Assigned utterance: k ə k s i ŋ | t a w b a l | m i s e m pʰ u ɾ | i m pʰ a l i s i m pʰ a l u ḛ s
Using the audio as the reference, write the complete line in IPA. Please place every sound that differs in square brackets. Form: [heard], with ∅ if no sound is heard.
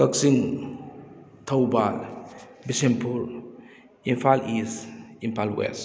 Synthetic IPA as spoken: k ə k s i ŋ | [tʰ] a w b a l | [b] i s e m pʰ u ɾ | i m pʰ a l i s i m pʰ a l [w] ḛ s

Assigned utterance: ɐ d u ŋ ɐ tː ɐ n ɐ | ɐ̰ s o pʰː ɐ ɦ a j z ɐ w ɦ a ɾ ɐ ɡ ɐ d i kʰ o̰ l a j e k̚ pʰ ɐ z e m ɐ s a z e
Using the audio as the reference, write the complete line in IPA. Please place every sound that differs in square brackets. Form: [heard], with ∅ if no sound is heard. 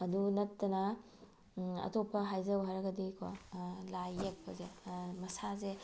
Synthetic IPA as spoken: ɐ d u [n] ɐ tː ɐ n ɐ | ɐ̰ [t] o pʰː ɐ ɦ a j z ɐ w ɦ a ɾ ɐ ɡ ɐ d i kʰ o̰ l a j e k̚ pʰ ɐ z e m ɐ s a z e

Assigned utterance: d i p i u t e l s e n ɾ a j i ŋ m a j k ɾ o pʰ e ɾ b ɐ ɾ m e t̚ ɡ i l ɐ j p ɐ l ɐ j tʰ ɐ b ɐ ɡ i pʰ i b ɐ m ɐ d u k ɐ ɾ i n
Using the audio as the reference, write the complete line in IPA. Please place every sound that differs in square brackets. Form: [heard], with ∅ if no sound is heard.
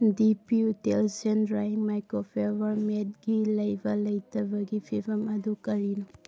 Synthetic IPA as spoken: d i p i u t e l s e n ɾ a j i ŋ m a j k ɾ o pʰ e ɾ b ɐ ɾ m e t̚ ɡ i l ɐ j [b] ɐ l ɐ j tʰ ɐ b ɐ ɡ i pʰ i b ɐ m ɐ d u k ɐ ɾ i n

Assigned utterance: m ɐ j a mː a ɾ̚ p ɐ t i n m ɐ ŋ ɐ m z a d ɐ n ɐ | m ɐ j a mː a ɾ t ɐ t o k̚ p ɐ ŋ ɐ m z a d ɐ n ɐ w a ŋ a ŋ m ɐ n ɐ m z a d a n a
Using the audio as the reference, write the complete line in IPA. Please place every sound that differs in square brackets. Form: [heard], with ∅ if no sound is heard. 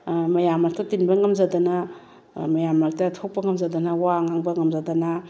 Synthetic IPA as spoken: m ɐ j a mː a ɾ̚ [t] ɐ t i n [b] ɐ ŋ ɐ m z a d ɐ n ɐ | m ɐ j a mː a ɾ t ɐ [tʰ] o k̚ p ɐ ŋ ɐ m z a d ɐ n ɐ w a ŋ a ŋ [b] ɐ [ŋ] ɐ m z a d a n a

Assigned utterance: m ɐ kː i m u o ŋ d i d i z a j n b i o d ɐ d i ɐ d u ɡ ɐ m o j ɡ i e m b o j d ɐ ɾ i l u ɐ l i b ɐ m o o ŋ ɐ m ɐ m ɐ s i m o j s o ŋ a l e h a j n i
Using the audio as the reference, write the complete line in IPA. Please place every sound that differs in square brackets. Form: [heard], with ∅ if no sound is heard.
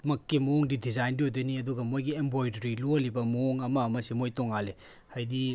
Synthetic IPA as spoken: m ɐ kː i m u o ŋ d i d i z a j n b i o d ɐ [n] i ɐ d u ɡ ɐ m o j ɡ i e m b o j d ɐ ɾ i l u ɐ l i b ɐ m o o ŋ ɐ m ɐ m ɐ s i m o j [t] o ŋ a l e h a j [d] i

